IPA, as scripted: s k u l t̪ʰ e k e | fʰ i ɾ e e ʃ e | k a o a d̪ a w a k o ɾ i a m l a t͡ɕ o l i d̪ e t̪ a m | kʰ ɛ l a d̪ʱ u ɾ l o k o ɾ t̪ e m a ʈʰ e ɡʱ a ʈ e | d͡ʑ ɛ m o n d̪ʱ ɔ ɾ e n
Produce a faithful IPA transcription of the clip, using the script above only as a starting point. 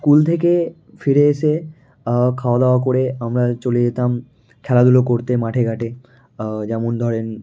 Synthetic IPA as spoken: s k u l t̪ʰ e k e | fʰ i ɾ e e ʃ e | kʰ a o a d̪ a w a k o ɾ e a m ɾ a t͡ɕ o l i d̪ e t̪ a m | kʰ ɛ l a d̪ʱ u l o k o ɾ t̪ e m a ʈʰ e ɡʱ a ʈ e | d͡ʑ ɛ m o n d̪ʱ ɔ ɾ e n